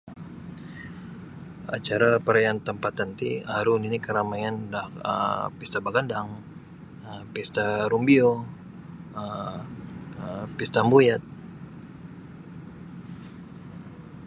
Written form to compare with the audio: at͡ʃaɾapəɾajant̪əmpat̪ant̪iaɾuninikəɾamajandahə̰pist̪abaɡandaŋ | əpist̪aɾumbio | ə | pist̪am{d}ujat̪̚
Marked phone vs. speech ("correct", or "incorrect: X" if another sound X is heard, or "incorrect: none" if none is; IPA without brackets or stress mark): incorrect: b